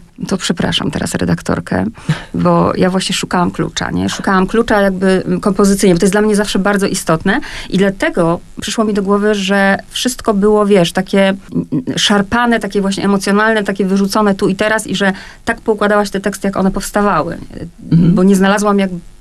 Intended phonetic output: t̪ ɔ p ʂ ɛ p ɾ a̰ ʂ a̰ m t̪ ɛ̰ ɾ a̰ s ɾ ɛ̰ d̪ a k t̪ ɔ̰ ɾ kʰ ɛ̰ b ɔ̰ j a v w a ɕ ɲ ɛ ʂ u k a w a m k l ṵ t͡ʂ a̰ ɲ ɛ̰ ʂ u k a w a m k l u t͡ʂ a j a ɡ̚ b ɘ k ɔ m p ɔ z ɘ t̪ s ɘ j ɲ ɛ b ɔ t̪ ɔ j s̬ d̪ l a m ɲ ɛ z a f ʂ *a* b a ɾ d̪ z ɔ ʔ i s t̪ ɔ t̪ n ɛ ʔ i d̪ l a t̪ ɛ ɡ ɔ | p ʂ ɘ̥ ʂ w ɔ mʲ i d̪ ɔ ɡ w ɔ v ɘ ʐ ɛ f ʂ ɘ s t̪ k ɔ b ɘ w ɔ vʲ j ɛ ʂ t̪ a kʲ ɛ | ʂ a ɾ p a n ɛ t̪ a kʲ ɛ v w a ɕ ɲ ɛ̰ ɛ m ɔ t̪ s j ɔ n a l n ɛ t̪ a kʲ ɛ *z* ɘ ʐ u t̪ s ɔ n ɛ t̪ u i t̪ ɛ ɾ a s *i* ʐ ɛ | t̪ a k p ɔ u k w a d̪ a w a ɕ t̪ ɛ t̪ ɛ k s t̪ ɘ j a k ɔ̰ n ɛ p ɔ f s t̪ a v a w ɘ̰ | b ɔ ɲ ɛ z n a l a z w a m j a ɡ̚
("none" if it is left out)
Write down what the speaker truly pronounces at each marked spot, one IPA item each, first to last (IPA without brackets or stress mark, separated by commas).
ɛ, v, i